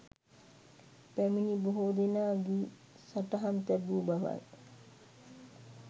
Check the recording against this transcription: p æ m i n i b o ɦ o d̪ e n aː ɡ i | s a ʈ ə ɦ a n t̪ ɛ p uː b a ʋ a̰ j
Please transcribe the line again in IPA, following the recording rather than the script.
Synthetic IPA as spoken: p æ m i n i b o ɦ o d̪ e n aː ɡ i | s a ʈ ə ɦ a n t̪ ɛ b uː b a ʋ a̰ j